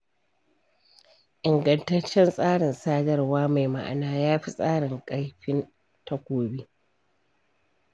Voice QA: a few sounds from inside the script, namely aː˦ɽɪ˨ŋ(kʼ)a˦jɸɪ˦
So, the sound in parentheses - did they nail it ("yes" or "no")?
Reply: yes